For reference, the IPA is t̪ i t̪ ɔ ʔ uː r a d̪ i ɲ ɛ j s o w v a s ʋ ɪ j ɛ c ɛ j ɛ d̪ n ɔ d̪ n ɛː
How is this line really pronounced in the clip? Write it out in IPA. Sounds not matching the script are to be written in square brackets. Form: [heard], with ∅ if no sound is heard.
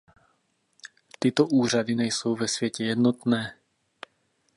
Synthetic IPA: t̪ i t̪ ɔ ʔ uː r a d̪ i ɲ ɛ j s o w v [ɛ] s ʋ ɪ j ɛ c ɛ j ɛ d̪ n ɔ [t̪] n ɛː